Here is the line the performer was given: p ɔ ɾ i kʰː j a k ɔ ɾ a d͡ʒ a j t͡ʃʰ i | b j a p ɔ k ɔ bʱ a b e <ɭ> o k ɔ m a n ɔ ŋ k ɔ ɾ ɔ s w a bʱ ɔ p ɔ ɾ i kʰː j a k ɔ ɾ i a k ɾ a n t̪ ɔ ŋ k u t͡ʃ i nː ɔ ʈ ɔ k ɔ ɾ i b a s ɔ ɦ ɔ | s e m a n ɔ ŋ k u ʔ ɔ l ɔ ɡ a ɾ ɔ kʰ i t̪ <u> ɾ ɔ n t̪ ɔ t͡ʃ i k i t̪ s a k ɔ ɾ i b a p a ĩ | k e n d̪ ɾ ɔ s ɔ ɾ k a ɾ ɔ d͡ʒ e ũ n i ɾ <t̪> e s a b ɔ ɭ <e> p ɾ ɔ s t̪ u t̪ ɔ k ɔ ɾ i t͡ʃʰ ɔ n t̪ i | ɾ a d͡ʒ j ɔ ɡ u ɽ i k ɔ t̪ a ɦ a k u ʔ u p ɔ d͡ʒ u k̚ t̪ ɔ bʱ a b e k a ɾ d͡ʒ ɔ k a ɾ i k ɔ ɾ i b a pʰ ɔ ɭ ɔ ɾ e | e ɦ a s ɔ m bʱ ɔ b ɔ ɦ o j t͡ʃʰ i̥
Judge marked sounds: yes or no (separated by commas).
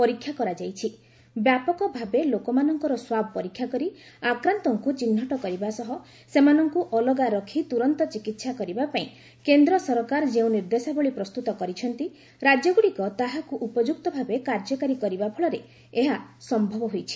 no, yes, no, no